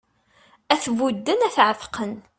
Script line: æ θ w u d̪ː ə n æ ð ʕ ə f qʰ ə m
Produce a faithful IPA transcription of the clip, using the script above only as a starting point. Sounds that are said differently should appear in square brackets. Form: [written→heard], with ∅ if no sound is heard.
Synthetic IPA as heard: æ θ [w→v] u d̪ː ə n æ [ð→θ] ʕ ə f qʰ ə [m→n]